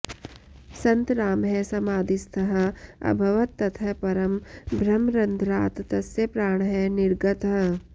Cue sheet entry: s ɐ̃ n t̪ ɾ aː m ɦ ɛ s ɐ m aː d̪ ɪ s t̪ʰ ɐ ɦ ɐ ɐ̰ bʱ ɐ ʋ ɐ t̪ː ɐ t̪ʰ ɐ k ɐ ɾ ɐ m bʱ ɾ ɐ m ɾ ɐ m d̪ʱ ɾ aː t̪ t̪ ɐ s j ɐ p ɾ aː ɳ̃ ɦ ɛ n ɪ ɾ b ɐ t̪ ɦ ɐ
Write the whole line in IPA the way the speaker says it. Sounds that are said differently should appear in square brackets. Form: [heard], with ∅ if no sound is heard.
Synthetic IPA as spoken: s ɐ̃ n t̪ ɾ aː m ɦ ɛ s ɐ m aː d̪ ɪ s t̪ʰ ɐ ɦ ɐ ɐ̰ bʱ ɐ ʋ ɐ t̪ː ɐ t̪ʰ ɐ [p] ɐ ɾ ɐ m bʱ ɾ ɐ m ɾ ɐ [n] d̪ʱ ɾ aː t̪ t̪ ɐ s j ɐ p ɾ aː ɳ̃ ɦ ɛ n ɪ ɾ [ɡ] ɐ t̪ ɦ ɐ